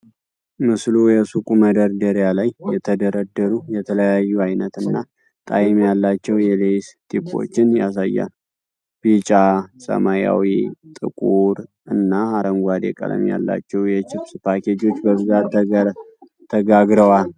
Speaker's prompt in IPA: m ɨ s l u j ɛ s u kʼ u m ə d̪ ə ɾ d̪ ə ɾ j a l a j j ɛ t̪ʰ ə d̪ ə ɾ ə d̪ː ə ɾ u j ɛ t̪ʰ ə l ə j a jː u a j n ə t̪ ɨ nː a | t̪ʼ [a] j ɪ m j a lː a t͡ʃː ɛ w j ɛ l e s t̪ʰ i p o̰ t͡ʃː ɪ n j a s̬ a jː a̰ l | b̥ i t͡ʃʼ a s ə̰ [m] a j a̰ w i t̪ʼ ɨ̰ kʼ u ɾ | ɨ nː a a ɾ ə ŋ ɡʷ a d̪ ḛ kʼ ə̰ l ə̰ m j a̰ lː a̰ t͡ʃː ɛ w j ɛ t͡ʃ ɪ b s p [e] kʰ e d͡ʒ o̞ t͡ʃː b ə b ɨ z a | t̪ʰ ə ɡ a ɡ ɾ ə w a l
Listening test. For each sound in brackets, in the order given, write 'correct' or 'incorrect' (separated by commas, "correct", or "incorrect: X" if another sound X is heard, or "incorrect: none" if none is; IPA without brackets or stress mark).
correct, correct, incorrect: a